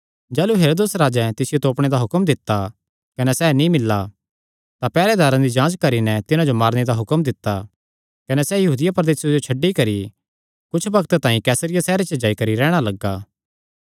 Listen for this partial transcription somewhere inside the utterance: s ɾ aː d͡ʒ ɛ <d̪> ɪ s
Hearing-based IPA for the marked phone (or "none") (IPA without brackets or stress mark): t̪